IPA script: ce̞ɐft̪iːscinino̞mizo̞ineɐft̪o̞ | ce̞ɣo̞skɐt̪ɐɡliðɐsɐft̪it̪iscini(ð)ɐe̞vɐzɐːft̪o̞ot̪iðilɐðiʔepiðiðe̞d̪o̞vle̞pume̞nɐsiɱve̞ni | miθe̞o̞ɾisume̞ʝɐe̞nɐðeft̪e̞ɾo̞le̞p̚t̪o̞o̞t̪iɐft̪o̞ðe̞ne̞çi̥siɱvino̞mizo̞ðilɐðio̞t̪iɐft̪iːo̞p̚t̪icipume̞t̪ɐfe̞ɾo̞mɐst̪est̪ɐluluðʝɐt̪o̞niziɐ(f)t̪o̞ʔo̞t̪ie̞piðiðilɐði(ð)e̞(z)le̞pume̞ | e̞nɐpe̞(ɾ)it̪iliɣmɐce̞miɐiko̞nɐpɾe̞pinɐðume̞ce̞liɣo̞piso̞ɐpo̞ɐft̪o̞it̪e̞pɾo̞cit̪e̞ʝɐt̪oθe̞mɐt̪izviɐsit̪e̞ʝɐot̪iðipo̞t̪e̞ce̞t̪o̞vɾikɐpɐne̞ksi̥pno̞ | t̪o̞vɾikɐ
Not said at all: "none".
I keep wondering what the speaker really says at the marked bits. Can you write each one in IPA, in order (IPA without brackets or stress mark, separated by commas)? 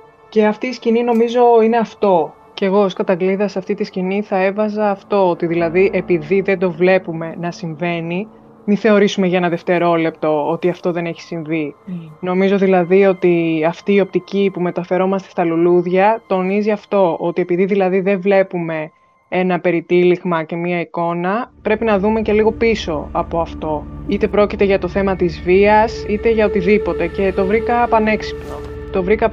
θ, f, ð, v, ɾ